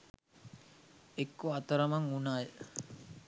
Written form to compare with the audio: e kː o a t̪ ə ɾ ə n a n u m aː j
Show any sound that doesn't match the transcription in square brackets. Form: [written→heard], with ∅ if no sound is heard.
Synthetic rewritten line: e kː o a t̪ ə ɾ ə [n→m] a [n→ŋ] u [m→n] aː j